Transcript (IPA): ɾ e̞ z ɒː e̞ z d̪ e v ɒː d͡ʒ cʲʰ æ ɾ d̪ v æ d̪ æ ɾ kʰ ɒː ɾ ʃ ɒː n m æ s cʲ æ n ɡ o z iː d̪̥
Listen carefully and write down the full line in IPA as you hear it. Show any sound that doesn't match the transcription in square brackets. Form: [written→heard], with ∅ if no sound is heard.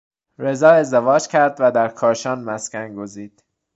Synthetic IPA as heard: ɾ e̞ z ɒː e̞ z d̪ e v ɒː d͡ʒ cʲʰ æ ɾ d̪ v æ d̪ æ ɾ kʰ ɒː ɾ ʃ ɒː n m æ s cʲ æ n ɡ o z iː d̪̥

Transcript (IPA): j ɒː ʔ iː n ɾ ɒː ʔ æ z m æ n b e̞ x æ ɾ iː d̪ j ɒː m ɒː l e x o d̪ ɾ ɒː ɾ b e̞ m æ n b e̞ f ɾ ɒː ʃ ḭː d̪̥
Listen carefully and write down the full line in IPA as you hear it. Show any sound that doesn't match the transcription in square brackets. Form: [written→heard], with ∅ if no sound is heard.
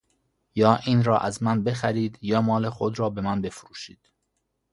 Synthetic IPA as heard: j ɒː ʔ iː n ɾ ɒː ʔ æ z m æ n b e̞ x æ ɾ iː d̪ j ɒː m ɒː l e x o d̪ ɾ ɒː [ɾ→∅] b e̞ m æ n b e̞ f ɾ [ɒː→uː] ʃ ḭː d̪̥

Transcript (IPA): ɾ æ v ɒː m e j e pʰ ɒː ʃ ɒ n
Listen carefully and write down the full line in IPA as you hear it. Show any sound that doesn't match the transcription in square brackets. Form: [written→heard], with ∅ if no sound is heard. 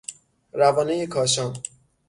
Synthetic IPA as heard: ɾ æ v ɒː [m→n] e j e [pʰ→kʰ] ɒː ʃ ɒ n

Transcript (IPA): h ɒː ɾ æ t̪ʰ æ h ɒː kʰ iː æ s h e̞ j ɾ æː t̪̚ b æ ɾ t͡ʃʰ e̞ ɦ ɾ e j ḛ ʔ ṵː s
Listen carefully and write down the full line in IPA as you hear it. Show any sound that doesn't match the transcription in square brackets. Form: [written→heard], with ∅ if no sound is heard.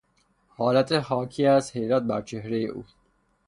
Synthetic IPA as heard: h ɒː [ɾ→l] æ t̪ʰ [æ→e] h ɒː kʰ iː æ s h e̞ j ɾ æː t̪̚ b æ ɾ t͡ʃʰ e̞ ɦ ɾ e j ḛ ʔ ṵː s

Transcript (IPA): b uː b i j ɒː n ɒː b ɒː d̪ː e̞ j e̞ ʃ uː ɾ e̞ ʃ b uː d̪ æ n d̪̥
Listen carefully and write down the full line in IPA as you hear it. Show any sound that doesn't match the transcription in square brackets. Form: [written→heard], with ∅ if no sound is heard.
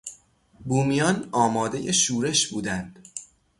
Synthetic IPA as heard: b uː [b→m] i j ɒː n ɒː [b→m] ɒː [d̪ː→d̪] e̞ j e̞ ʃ uː ɾ e̞ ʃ b uː d̪ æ n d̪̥

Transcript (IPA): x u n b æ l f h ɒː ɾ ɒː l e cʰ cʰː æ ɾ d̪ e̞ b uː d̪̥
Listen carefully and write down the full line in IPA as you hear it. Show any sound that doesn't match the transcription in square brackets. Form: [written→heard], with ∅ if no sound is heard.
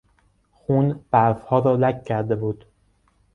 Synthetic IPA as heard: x u n b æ [l→ɾ] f h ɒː ɾ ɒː l [e→æ] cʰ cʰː æ ɾ d̪ e̞ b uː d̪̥

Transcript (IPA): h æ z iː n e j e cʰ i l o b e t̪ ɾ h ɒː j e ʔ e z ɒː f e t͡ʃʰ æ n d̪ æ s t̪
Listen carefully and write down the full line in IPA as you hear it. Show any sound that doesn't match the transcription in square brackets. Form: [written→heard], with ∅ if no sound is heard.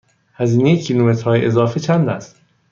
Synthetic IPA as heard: h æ z iː n e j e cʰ i l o [b→m] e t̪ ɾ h ɒː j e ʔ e z ɒː f e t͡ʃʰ æ n d̪ æ s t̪

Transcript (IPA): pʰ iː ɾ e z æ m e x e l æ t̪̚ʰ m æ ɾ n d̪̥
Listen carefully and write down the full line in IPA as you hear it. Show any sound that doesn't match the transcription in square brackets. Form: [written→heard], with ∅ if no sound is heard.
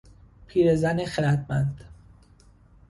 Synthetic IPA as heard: pʰ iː ɾ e z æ [m→n] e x e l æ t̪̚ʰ m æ [ɾ→∅] n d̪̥

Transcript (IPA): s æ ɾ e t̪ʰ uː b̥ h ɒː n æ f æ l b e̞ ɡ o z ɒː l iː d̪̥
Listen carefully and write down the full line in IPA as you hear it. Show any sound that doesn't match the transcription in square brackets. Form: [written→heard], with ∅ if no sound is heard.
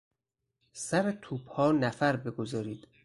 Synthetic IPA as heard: s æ ɾ e t̪ʰ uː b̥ h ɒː n æ f æ [l→ɾ] b e̞ ɡ o z ɒː [l→ɾ] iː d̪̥

